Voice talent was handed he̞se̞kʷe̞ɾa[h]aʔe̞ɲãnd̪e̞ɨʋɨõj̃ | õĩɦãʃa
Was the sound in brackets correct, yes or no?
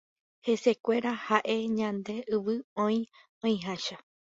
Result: yes